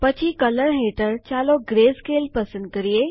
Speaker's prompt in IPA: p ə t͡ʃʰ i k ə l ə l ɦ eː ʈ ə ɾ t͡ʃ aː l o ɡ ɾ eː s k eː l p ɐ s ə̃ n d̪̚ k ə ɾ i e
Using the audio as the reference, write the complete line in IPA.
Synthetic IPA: p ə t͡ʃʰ i k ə l ə ɾ ɦ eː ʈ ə ɾ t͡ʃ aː l o ɡ ɾ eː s k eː l p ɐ s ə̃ n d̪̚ k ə ɾ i e